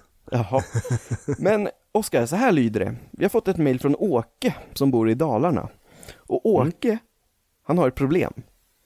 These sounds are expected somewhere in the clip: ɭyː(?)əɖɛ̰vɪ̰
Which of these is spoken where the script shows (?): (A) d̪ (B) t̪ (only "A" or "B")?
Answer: A